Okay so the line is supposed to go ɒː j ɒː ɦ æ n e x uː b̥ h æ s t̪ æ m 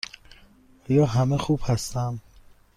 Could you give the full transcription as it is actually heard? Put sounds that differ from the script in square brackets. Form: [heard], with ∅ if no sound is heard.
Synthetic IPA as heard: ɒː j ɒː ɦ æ [m] e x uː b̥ h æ s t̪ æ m